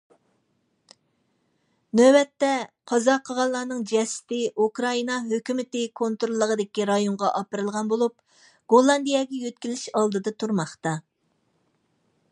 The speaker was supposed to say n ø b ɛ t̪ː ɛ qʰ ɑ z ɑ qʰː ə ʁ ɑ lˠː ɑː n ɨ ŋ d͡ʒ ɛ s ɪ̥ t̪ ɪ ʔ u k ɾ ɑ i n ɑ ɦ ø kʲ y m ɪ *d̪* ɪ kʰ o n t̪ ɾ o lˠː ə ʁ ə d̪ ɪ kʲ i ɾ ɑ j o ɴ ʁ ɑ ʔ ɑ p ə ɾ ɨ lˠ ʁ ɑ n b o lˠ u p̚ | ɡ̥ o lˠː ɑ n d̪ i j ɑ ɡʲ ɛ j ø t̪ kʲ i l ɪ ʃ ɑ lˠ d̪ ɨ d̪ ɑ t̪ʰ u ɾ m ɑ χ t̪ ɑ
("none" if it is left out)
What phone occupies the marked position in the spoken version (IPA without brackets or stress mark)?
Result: t̪